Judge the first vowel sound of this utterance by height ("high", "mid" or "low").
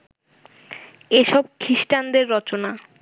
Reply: mid